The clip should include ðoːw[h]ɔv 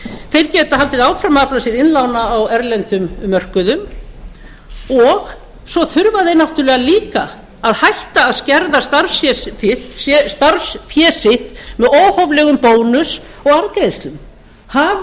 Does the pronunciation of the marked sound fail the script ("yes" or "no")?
no